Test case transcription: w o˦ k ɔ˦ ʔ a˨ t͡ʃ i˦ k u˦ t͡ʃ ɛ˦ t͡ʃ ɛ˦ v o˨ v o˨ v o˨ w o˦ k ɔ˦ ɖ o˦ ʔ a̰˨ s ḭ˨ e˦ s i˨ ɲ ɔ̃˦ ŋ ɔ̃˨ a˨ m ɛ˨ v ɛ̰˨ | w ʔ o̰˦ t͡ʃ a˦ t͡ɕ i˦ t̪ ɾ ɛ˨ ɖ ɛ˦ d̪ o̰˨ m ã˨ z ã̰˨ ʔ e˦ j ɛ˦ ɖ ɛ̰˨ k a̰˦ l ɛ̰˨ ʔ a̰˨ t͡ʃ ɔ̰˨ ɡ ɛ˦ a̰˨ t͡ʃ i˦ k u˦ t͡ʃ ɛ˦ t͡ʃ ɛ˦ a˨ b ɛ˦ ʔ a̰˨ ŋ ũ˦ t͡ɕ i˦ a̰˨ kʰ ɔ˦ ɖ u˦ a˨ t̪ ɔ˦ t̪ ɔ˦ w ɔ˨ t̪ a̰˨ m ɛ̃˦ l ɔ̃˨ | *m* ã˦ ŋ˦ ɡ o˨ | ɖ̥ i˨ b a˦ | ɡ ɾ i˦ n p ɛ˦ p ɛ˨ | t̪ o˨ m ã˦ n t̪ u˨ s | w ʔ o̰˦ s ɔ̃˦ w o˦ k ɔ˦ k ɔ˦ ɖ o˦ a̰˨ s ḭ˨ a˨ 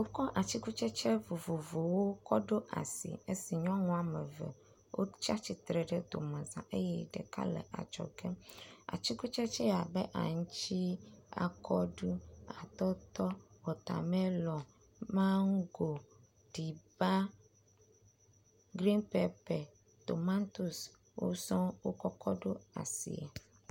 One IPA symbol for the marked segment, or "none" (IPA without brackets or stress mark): m